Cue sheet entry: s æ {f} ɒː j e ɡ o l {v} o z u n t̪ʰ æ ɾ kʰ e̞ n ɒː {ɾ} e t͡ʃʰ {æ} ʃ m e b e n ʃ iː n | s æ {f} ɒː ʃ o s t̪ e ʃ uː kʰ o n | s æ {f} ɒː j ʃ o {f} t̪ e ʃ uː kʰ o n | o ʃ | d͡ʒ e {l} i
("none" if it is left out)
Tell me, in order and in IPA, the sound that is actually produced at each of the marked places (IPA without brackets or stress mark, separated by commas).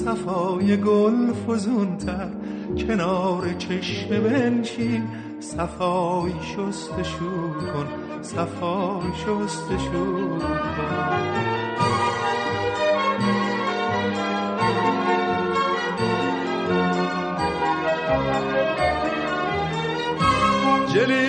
f, f, ɾ, e, f, f, s, l